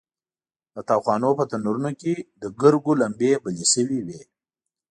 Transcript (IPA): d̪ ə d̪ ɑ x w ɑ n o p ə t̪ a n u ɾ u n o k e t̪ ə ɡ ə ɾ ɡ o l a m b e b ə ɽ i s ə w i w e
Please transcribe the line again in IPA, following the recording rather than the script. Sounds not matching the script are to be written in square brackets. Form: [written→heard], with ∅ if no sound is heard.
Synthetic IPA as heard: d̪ ə [d̪→t̪] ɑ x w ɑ n o p ə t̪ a n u ɾ u n o k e [t̪→d̪] ə ɡ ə ɾ ɡ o l a m b e b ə [ɽ→l] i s ə w i w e